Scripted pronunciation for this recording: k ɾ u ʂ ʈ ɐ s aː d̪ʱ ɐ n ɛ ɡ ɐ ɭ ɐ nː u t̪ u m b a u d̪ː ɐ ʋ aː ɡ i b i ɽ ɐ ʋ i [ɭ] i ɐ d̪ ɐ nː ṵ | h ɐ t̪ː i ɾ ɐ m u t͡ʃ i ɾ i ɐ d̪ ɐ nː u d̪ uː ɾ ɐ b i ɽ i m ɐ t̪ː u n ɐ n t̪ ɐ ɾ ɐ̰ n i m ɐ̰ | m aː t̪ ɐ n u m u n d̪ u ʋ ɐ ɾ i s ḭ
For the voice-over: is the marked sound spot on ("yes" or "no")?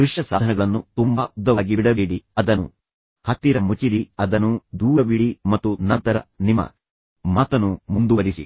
no